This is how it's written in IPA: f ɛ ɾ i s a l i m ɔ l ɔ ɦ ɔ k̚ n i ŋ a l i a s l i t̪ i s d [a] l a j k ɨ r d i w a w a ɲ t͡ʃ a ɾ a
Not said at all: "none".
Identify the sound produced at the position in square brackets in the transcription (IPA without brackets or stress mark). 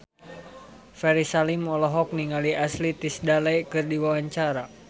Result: a